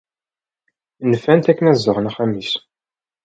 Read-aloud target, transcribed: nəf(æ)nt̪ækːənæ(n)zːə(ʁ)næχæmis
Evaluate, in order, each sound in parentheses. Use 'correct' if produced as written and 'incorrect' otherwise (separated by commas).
correct, incorrect, correct